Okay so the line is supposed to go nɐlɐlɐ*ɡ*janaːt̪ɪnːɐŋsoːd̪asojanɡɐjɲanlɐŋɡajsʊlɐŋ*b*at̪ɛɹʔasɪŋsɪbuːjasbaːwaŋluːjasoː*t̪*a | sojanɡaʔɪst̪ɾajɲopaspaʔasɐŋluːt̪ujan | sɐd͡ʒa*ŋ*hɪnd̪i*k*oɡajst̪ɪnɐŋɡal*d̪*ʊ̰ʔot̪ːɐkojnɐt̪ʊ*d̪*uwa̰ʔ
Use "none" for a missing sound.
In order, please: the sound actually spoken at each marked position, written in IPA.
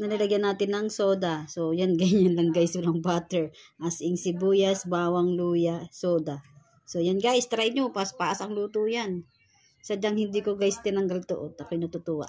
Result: ɡ, b, d̪, ŋ, k, t̪, t̪

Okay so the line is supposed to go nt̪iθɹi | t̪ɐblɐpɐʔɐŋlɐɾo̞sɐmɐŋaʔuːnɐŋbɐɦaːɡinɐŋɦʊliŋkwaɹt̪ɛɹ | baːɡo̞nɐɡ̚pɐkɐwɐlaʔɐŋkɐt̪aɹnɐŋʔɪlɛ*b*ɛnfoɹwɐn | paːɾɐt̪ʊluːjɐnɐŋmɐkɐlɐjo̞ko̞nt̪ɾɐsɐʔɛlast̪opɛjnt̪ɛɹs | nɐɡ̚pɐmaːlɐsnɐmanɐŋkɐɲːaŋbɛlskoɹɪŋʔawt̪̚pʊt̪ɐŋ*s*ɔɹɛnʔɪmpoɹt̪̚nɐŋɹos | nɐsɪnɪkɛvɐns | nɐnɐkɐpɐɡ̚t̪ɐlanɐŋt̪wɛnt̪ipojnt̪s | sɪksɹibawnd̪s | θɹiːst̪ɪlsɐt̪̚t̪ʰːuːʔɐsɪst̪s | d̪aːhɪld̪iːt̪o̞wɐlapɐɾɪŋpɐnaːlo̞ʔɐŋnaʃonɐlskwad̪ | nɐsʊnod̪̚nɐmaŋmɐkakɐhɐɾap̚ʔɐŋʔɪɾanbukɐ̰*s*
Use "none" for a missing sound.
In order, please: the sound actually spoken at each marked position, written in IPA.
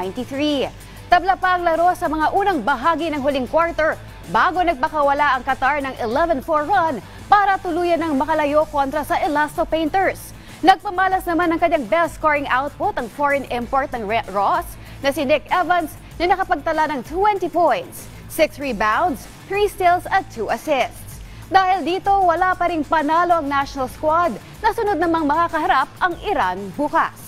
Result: v, f, s

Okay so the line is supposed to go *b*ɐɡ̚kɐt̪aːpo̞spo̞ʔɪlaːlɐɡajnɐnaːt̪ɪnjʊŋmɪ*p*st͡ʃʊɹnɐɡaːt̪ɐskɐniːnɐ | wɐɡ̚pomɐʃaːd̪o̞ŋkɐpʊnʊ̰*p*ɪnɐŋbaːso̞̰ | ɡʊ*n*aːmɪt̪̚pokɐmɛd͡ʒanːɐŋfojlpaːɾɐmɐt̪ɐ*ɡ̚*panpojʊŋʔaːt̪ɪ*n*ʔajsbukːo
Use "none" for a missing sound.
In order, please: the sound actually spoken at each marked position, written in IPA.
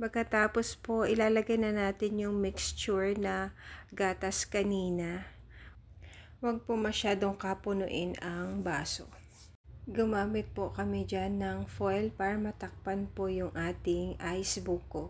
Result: p, k, ʔ, m, k̚, ŋ

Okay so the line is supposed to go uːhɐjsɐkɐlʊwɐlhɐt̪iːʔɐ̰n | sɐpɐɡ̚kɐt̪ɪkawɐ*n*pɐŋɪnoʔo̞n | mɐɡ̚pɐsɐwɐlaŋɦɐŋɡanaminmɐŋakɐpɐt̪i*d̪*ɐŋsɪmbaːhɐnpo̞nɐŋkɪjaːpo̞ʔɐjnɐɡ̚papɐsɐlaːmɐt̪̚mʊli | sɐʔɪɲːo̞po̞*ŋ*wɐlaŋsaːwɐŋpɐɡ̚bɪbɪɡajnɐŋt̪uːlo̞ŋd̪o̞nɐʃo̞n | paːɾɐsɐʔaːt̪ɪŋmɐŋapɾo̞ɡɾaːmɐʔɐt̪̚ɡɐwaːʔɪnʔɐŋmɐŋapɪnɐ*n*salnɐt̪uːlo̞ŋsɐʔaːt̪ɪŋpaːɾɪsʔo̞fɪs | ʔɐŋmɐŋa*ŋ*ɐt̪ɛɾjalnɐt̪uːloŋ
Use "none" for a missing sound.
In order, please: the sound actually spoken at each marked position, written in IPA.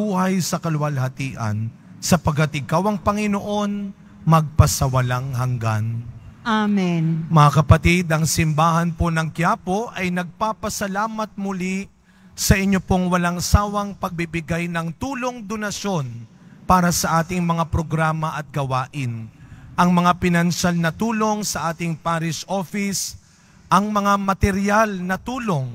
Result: ŋ, d̪, ŋ, n, m

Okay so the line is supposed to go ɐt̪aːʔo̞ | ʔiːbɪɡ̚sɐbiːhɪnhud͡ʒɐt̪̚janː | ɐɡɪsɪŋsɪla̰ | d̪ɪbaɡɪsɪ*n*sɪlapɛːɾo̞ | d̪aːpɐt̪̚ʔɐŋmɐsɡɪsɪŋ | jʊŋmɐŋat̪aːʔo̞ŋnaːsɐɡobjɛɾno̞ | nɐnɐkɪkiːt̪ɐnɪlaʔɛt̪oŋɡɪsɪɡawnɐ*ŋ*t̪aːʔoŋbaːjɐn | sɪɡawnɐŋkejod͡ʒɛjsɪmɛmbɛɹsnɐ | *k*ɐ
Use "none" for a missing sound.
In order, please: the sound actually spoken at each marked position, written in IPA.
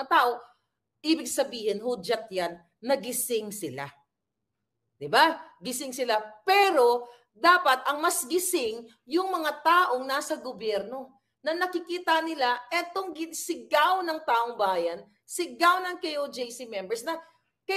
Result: ŋ, ŋ, k

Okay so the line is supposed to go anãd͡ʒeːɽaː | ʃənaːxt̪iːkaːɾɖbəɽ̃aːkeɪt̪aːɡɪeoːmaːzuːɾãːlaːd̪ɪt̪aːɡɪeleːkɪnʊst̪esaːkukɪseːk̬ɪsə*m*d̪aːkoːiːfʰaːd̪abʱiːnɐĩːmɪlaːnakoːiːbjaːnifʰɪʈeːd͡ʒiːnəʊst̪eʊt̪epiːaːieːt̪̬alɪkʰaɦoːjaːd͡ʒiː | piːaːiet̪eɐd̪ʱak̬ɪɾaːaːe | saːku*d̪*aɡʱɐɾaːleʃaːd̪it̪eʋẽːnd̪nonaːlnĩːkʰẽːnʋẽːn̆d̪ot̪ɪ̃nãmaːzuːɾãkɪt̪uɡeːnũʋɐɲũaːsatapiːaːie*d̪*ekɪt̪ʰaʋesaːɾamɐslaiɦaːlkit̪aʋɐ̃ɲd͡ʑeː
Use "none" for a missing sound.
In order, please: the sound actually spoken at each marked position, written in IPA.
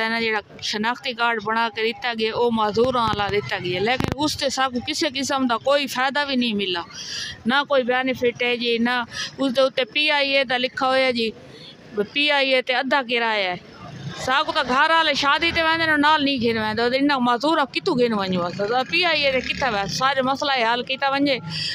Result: m, t̪, t̪

